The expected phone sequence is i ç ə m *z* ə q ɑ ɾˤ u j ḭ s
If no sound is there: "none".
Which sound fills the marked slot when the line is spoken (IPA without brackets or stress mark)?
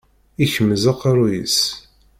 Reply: z